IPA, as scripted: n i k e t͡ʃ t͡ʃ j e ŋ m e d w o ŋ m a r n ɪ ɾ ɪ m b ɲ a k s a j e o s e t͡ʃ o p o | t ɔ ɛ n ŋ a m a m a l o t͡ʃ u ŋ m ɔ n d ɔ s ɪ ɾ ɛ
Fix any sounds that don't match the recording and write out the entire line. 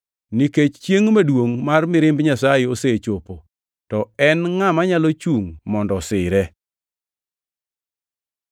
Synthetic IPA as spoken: n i k e t͡ʃ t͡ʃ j e ŋ m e d w o ŋ m a r m ɪ ɾ ɪ m b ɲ a s a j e o s e t͡ʃ o p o | t ɔ ɛ n ŋ a m a ɲ a l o t͡ʃ u ŋ m ɔ n d ɔ s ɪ ɾ ɛ